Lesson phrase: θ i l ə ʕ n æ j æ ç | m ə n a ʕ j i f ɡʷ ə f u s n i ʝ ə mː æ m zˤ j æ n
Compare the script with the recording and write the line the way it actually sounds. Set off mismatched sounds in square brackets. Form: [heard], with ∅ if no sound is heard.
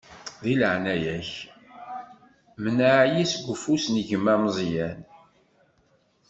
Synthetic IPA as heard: [ð] i l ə ʕ n æ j æ ç | m ə n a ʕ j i [s] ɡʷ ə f u s n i ʝ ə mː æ m zˤ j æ n